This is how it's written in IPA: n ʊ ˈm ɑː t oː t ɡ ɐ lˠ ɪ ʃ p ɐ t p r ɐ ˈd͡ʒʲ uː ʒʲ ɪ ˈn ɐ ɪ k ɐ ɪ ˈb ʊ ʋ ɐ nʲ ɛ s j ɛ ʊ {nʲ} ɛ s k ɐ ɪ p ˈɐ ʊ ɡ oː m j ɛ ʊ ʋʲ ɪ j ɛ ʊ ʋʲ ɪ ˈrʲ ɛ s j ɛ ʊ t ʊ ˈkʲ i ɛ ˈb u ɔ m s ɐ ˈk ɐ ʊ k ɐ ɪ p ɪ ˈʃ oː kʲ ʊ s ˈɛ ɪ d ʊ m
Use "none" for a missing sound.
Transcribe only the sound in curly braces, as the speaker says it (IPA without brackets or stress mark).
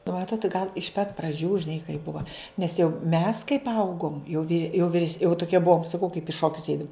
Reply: mʲ